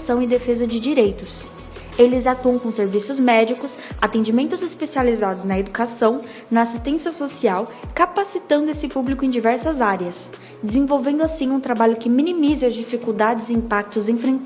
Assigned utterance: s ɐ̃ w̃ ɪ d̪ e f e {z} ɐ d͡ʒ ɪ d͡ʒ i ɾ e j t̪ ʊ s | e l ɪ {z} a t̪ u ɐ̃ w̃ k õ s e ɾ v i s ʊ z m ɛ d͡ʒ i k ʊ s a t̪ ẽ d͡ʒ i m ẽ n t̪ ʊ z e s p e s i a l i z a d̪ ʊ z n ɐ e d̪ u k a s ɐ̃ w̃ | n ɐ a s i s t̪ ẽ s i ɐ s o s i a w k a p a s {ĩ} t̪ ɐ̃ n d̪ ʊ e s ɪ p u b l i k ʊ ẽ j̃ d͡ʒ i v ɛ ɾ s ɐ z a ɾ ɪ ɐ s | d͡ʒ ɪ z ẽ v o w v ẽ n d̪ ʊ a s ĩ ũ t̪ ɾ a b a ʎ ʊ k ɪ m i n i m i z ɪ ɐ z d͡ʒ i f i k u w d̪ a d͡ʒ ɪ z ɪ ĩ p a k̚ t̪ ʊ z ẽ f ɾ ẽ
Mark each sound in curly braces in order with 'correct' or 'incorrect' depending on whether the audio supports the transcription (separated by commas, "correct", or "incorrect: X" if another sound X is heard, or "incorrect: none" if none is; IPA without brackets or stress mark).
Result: correct, correct, incorrect: i